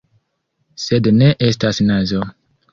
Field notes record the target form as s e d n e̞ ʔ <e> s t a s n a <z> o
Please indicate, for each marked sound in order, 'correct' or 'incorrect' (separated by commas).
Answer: correct, correct